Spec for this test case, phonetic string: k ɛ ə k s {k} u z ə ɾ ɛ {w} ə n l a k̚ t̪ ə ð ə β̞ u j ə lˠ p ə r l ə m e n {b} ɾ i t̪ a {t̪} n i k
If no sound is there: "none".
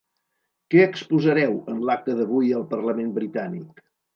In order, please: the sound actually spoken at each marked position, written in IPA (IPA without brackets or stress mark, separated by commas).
p, w, b, none